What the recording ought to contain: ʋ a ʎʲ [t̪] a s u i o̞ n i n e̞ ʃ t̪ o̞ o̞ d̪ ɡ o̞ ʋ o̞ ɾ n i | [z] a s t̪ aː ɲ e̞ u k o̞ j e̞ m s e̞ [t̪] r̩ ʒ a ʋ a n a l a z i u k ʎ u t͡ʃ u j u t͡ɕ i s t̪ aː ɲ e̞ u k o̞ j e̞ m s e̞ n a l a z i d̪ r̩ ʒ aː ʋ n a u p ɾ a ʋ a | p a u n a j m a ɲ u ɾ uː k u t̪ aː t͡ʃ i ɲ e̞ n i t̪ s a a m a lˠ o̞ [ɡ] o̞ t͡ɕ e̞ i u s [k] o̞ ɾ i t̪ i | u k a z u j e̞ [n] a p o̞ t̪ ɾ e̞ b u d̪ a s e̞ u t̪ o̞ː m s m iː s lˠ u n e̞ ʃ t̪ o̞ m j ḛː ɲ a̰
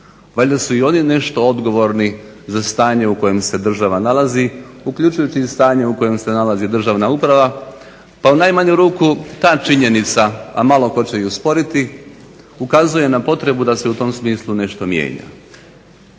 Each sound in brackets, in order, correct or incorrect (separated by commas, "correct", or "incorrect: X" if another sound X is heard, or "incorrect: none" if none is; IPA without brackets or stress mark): incorrect: d̪, correct, incorrect: d̪, incorrect: k, incorrect: p, correct